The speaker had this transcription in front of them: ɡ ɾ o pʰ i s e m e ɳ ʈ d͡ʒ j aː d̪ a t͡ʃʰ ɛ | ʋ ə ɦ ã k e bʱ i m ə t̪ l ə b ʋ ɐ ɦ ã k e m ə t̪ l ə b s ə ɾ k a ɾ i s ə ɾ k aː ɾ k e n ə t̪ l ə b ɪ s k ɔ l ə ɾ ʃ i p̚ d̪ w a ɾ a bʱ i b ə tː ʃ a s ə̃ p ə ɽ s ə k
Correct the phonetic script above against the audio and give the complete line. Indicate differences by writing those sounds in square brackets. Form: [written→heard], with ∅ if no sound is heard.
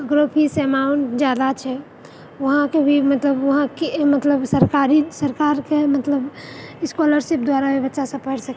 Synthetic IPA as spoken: ɡ ɾ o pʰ i s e m [e→a] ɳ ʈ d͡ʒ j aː d̪ a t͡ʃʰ ɛ | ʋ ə ɦ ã k e bʱ i m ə t̪ l ə b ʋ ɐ ɦ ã k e m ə t̪ l ə b s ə ɾ k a ɾ i s ə ɾ k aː ɾ k e [n→m] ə t̪ l ə b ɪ s k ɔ l ə ɾ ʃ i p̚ d̪ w a ɾ a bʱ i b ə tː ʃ a s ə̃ p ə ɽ s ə k